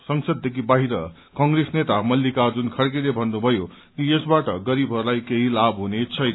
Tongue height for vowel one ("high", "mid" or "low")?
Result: mid